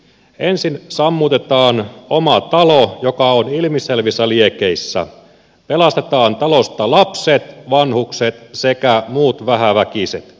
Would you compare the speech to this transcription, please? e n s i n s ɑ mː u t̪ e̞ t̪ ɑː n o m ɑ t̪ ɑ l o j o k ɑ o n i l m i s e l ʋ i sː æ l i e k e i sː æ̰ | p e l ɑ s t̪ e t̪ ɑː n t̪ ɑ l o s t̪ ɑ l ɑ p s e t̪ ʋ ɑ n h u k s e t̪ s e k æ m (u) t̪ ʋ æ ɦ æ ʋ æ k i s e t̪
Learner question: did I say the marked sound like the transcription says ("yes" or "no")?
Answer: no